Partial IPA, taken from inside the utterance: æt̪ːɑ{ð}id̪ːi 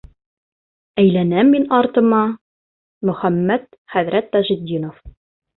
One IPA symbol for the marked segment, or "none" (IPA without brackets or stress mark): ʒ